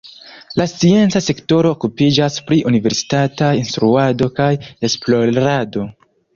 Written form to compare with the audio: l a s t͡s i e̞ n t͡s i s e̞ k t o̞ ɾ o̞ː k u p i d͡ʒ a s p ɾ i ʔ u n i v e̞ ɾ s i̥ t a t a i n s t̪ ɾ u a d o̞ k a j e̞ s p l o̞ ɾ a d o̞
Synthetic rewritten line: l a s t͡s i e̞ n t͡s a s e̞ k t o̞ ɾ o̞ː k u p i d͡ʒ a s p ɾ i ʔ u n i v e̞ ɾ s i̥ t a t a i n s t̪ ɾ u a d o̞ k a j e̞ s p l o̞ ɾ a d o̞